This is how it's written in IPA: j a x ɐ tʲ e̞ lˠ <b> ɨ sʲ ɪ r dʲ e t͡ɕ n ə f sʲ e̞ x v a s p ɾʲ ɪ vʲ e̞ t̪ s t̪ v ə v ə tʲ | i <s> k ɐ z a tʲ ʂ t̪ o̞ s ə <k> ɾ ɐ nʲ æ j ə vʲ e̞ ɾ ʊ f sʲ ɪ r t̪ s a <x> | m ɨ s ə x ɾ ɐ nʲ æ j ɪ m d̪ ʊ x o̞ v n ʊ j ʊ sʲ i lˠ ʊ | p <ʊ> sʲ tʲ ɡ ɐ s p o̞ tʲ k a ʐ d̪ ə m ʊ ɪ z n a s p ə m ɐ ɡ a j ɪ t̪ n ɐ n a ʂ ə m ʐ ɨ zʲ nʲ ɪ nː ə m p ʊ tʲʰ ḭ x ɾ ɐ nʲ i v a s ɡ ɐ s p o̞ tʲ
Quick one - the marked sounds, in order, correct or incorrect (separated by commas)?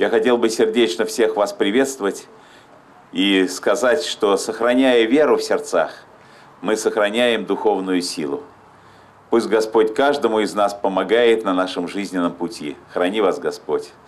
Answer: correct, correct, incorrect, correct, incorrect